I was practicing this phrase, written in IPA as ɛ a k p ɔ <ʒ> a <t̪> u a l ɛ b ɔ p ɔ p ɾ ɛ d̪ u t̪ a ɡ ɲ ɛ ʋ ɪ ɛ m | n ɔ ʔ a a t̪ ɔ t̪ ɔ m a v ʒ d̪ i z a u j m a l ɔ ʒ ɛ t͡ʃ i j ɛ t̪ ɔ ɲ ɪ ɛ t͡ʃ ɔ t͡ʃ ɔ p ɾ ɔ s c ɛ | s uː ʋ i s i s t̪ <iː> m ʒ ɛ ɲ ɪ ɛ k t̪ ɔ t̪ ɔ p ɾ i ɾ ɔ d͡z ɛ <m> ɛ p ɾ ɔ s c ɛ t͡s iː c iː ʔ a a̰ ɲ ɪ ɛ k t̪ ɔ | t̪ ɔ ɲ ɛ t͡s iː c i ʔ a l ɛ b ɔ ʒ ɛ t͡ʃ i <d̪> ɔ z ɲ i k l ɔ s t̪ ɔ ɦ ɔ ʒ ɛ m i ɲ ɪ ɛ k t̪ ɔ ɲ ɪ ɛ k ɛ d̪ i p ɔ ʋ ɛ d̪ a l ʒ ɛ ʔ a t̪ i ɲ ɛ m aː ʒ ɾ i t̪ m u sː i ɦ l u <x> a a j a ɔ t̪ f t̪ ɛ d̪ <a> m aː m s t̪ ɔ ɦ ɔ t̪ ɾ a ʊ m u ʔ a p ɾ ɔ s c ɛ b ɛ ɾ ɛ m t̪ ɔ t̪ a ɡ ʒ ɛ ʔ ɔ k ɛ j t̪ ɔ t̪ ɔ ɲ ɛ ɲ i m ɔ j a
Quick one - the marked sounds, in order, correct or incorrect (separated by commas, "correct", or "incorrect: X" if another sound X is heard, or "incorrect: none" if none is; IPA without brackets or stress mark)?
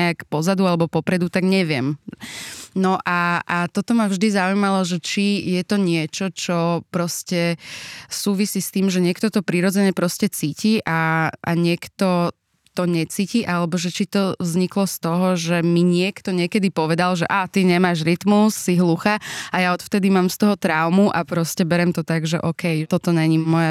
incorrect: z, incorrect: d̪, correct, incorrect: ɲ, incorrect: t̪, correct, incorrect: i